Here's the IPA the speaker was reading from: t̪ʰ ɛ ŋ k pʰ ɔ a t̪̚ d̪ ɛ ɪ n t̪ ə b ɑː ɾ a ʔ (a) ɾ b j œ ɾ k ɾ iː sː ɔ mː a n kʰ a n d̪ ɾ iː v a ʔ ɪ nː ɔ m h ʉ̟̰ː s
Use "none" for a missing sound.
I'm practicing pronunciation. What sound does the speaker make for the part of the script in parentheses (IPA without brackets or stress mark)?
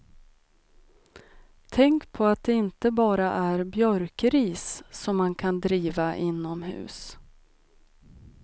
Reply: æ